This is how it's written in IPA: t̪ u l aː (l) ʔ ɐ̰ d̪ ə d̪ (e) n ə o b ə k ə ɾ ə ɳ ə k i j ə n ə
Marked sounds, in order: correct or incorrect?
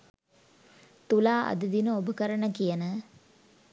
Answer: incorrect: none, incorrect: i

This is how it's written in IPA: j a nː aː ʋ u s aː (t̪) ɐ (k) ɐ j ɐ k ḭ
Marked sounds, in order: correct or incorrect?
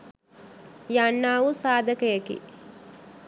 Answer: incorrect: d̪, correct

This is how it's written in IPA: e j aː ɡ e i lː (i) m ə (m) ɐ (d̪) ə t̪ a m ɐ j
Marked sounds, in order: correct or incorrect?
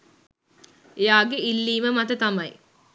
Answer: incorrect: iː, correct, incorrect: t̪

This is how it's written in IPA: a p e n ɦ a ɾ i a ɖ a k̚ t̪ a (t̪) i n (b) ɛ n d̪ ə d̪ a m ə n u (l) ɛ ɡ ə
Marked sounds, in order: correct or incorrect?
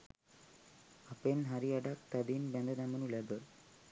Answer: incorrect: d̪, correct, correct

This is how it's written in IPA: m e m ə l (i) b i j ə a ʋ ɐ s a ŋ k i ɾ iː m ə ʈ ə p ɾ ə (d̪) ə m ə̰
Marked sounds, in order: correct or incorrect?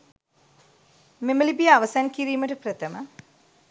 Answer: correct, incorrect: t̪

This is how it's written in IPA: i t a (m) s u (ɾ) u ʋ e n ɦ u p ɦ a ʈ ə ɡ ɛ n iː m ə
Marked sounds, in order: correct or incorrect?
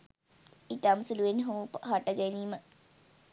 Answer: correct, incorrect: l

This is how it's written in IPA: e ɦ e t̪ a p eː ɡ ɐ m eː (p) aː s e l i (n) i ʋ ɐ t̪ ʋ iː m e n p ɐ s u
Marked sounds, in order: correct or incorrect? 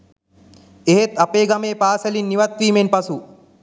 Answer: correct, incorrect: nː

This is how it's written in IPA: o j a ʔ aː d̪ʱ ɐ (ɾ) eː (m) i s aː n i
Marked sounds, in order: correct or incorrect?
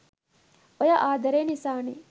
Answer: correct, incorrect: n

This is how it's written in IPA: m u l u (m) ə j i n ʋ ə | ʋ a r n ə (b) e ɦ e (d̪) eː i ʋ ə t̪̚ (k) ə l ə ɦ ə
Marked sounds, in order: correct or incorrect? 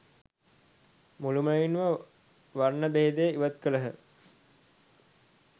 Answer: correct, correct, correct, correct

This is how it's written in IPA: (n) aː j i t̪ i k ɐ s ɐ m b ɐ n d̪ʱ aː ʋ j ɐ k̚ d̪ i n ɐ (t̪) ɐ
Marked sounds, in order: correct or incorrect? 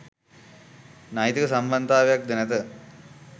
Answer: correct, correct

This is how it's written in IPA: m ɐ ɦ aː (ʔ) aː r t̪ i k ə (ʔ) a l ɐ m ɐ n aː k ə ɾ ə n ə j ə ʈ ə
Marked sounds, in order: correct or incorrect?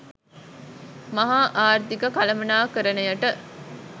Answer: correct, incorrect: k

